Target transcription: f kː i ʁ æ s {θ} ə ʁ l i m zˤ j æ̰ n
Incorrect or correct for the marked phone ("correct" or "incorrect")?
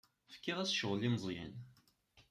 incorrect